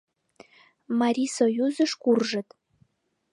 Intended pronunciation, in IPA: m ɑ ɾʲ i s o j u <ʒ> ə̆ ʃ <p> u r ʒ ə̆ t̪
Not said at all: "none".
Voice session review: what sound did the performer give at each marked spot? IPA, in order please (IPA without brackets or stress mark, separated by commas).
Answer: z, k